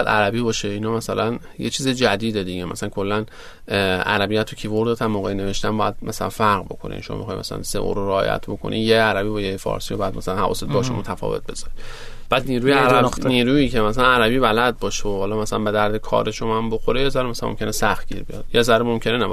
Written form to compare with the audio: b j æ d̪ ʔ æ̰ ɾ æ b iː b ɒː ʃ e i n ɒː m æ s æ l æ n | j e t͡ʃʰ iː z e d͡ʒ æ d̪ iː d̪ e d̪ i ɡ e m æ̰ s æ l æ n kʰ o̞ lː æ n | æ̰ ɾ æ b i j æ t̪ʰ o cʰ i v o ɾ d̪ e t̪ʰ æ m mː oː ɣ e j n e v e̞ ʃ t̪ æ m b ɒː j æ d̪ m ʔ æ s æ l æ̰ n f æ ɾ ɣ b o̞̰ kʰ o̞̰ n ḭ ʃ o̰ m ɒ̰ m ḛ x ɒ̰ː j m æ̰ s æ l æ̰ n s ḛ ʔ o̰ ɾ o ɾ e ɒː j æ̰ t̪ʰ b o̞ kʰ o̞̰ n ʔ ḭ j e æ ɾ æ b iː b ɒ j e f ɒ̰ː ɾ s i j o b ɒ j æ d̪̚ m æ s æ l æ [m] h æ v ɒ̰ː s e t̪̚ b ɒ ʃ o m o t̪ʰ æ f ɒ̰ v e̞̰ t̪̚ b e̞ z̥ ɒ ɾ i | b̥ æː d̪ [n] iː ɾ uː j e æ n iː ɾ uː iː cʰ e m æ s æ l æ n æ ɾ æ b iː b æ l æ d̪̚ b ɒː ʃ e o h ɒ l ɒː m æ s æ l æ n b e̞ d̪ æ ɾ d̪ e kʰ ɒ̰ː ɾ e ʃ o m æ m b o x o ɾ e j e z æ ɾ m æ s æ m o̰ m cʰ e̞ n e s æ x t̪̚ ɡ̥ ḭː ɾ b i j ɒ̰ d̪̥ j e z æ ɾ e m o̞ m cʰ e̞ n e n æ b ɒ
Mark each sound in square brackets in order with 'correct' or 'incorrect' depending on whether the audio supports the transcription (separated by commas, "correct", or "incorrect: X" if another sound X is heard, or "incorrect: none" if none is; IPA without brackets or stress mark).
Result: incorrect: n, correct